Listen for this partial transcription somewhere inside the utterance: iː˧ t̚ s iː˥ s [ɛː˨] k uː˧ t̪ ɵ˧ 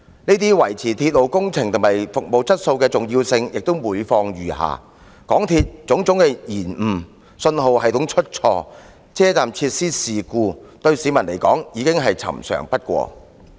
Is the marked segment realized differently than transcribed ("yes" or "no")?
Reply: yes